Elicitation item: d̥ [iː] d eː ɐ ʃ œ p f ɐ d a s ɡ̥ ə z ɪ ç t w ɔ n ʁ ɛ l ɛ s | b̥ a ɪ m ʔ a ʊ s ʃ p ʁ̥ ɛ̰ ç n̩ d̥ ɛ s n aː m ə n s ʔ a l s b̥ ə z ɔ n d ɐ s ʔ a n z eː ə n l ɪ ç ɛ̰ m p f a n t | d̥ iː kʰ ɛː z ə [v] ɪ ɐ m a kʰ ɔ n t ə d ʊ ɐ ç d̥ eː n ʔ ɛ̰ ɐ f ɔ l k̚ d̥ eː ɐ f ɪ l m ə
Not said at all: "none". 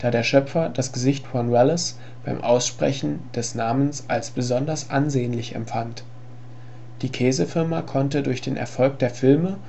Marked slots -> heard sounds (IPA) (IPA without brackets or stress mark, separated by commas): aː, f